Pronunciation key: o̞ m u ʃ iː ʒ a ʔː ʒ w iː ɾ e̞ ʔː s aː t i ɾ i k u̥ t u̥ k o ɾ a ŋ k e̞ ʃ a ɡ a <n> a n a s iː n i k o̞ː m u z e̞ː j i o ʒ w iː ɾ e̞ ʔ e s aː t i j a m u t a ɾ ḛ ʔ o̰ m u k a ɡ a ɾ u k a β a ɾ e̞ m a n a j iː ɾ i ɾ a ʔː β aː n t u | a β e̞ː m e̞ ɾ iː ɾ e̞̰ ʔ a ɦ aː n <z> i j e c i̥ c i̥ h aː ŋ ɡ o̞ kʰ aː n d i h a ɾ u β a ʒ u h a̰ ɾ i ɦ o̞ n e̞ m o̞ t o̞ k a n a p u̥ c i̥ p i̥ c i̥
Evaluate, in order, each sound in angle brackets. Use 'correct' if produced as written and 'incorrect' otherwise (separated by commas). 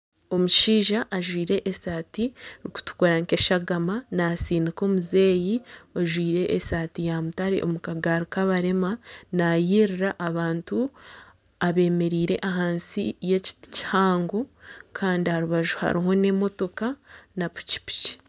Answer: incorrect, incorrect